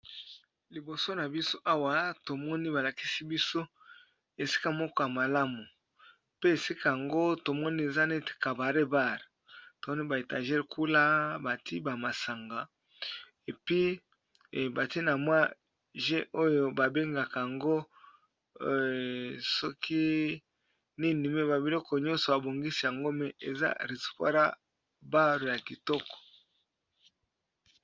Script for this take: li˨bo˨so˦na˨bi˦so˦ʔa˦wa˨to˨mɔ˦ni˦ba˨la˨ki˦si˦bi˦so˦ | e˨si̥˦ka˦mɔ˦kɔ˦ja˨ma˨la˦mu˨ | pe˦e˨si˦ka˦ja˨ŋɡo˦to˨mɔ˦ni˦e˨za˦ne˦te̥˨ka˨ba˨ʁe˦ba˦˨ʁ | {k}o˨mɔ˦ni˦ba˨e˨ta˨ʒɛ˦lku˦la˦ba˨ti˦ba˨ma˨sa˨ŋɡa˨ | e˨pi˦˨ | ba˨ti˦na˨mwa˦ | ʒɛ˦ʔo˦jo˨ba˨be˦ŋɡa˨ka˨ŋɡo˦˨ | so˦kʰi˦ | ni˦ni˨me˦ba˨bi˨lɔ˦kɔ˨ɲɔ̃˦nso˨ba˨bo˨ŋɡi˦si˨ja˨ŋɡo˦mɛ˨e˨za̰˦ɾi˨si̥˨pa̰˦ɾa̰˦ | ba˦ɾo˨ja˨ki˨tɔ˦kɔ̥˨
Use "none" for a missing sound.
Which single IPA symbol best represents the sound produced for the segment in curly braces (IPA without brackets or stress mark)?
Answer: t